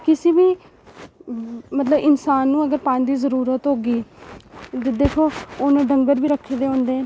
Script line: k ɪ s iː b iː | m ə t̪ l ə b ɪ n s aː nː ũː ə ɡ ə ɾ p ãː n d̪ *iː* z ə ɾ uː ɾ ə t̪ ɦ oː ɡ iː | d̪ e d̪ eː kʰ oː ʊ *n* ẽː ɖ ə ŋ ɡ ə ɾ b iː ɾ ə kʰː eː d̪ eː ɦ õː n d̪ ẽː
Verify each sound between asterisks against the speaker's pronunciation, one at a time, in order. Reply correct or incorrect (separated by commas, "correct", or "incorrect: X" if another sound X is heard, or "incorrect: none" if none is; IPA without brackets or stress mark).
correct, correct